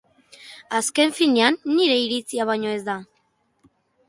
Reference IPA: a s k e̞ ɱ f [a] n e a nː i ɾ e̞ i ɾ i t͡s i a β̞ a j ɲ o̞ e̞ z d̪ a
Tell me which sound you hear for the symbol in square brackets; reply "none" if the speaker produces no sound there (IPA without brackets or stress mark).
i